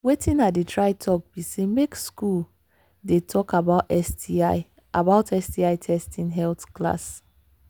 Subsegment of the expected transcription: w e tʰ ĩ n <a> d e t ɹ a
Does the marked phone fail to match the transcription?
no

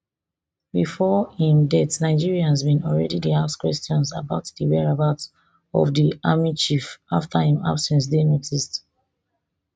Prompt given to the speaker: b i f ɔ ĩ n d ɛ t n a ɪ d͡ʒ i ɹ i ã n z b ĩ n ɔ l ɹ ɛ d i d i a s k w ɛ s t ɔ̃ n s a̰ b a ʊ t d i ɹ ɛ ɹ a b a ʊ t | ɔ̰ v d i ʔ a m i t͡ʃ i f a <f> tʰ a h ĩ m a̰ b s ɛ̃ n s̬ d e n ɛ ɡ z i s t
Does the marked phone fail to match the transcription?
no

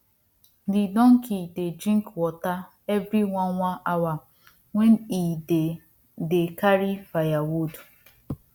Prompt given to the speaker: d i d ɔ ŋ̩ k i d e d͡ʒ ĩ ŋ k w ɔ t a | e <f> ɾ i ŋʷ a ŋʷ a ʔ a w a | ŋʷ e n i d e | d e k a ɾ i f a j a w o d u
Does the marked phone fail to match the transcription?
yes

